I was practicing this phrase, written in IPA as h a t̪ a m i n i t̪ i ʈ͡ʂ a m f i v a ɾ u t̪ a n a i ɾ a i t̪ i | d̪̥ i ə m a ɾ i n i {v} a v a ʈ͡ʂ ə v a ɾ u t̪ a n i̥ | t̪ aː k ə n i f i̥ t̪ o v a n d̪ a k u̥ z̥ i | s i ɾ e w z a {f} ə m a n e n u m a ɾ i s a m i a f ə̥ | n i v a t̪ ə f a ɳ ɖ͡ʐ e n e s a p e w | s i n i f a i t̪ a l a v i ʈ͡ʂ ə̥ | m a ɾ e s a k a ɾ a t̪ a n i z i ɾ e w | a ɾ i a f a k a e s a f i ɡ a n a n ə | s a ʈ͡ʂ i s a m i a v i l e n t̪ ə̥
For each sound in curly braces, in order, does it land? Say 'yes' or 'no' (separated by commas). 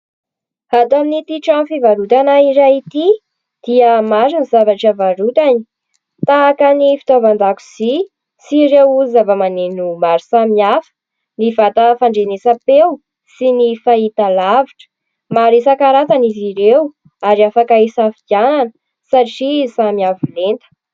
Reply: no, no